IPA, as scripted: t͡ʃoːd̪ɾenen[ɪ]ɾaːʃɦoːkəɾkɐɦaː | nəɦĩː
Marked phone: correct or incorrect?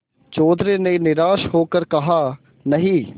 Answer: correct